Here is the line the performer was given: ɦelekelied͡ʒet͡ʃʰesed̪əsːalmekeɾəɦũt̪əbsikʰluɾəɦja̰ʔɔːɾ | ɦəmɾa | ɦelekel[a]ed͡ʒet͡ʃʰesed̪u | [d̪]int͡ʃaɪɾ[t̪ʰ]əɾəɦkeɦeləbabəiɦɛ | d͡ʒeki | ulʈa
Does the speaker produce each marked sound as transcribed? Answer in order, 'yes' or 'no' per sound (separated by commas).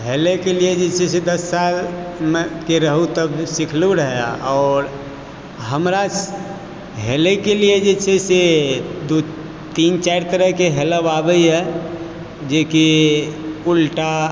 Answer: no, no, no